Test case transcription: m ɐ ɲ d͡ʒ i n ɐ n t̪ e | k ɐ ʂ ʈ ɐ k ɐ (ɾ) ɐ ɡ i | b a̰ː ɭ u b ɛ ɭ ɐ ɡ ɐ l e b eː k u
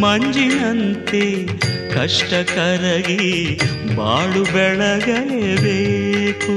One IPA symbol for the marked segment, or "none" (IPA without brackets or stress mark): ɾ